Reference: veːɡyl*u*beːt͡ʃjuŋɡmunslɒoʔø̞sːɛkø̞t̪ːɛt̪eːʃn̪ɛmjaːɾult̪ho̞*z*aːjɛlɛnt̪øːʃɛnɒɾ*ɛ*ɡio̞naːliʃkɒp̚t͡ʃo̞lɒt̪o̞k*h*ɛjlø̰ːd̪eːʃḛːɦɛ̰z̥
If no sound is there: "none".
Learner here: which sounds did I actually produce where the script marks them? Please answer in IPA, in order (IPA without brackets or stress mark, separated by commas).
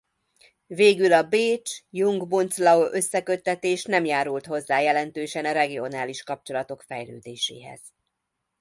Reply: ɒ, zː, ɛ, f